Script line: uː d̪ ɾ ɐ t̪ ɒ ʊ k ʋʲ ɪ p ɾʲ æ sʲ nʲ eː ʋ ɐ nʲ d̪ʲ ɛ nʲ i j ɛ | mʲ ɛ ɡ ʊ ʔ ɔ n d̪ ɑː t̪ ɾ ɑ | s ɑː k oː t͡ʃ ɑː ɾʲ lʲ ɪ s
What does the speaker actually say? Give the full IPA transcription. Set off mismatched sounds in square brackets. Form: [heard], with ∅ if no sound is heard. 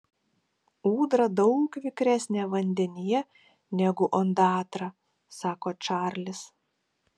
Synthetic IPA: uː d̪ ɾ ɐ [d̪] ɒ ʊ k ʋʲ ɪ [k] ɾʲ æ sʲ nʲ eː ʋ ɐ nʲ d̪ʲ ɛ nʲ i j ɛ | [nʲ] ɛ ɡ ʊ ʔ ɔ n d̪ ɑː t̪ ɾ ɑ | s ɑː k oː t͡ʃ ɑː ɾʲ lʲ ɪ s